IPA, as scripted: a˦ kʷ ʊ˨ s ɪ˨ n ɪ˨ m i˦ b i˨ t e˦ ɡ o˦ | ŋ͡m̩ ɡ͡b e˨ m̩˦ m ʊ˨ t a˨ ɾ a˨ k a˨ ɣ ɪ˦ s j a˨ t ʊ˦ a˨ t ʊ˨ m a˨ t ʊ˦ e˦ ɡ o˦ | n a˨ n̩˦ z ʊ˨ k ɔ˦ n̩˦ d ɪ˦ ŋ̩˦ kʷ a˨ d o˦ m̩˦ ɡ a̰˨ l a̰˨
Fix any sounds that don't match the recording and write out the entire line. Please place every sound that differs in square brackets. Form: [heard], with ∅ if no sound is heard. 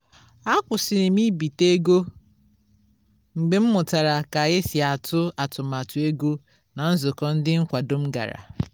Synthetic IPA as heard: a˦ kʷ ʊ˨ s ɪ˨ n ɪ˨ m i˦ b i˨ t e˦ ɡ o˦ | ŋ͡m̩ ɡ͡b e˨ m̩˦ m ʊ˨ t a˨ ɾ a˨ k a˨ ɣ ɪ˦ s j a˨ t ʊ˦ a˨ t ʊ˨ m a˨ t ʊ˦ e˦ ɡ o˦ | n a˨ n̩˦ z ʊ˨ k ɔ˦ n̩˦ d ɪ˦ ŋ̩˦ kʷ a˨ d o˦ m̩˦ ɡ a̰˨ [ɾ] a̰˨